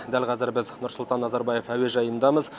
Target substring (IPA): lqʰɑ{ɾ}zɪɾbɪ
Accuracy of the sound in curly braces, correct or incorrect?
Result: incorrect: none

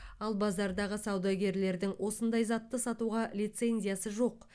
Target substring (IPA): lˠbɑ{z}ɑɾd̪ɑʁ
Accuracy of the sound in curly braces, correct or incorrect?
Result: correct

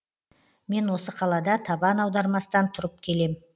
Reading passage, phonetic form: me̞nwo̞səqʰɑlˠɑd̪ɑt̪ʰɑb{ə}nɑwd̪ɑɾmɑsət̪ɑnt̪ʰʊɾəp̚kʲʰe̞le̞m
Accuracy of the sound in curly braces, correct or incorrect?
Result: incorrect: ɑ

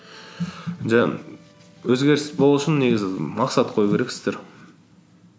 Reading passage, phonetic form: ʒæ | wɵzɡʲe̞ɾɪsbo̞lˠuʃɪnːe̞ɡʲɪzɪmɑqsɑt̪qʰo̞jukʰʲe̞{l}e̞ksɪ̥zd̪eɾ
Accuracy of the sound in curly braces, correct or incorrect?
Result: incorrect: ɾ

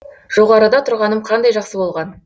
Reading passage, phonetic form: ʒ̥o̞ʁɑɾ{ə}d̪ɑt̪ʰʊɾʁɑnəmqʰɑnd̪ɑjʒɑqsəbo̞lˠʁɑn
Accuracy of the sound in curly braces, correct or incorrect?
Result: correct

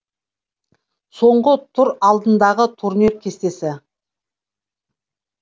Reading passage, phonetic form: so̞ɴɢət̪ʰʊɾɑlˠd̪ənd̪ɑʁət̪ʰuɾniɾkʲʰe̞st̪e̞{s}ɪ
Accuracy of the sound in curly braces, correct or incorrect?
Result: correct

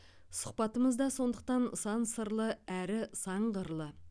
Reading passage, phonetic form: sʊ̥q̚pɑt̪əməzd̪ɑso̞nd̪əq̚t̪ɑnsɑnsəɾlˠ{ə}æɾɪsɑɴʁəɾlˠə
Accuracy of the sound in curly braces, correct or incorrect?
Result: correct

